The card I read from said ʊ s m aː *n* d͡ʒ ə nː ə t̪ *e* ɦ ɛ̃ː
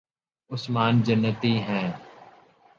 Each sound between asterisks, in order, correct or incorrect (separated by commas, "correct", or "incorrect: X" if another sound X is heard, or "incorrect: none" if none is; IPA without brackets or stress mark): correct, incorrect: i